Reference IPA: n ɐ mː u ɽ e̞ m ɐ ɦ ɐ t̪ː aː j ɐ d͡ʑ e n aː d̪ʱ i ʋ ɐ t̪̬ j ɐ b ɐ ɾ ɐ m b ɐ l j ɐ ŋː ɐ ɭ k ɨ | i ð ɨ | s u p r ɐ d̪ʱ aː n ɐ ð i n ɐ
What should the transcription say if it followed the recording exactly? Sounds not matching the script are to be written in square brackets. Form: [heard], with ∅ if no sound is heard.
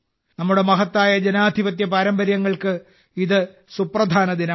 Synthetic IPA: n ɐ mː u ɽ e̞ m ɐ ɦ ɐ t̪ː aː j ɐ d͡ʑ e n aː d̪ʱ i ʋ ɐ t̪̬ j ɐ [p] ɐ ɾ ɐ m b ɐ [ɾ] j ɐ ŋː ɐ ɭ k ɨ | i ð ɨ | s u p r ɐ d̪ʱ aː n ɐ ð i n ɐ